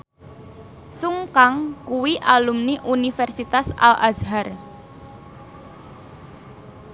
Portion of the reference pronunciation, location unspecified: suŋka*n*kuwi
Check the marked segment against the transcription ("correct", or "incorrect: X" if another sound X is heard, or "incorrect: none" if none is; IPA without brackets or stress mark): incorrect: ŋ